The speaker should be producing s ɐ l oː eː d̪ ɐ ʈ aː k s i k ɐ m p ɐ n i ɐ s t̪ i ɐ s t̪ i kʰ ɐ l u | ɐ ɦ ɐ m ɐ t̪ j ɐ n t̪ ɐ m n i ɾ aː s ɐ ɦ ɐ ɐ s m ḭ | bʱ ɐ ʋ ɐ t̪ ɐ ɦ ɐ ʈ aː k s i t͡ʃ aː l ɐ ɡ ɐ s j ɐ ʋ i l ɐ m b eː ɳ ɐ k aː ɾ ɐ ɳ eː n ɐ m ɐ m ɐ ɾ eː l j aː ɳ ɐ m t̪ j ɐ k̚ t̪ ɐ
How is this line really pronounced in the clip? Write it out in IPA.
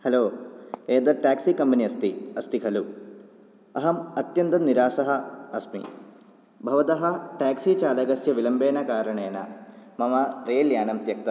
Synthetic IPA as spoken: h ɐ l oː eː d̪ ɐ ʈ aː k s i k ɐ m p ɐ n i ɐ s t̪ i ɐ s t̪ i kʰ ɐ l u | ɐ ɦ ɐ m ɐ t̪ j ɐ n t̪ ɐ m n i ɾ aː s ɐ ɦ ɐ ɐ s m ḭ | bʱ ɐ ʋ ɐ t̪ ɐ ɦ ɐ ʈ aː k s i t͡ʃ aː l ɐ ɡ ɐ s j ɐ ʋ i l ɐ m b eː n ɐ k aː ɾ ɐ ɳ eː n ɐ m ɐ m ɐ ɾ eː l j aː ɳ ɐ m t̪ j ɐ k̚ t̪ ɐ